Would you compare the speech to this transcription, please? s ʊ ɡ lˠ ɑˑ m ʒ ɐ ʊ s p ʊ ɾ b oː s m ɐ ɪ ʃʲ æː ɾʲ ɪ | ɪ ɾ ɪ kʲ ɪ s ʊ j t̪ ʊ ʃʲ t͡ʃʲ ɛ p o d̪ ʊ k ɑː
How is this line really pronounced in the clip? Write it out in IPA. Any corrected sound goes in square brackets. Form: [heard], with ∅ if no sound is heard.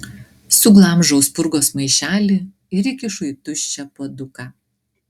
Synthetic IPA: s ʊ ɡ lˠ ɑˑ m ʒ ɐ ʊ s p ʊ ɾ [ɡ] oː s m ɐ ɪ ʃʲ æː [lʲ] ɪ | ɪ ɾ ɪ kʲ ɪ [ʃ] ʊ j t̪ ʊ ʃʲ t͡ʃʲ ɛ p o d̪ ʊ k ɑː